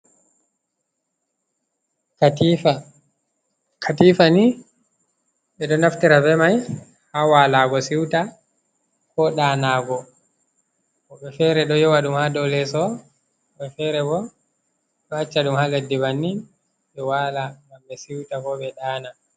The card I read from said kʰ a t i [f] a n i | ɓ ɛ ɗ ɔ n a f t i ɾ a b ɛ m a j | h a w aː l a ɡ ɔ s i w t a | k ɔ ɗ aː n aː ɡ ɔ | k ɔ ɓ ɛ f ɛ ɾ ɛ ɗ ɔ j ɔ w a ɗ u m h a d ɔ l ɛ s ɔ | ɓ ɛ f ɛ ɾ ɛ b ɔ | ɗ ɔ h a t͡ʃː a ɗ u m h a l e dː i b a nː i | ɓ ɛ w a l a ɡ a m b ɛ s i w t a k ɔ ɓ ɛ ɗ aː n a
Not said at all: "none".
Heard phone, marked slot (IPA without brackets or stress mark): f